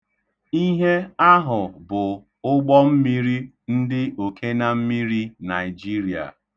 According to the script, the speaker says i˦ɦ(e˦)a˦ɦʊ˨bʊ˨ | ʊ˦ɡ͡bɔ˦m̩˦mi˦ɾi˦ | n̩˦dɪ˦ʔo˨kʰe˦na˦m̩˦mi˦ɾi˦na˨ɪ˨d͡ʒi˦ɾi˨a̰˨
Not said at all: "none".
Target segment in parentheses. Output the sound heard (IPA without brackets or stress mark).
e˦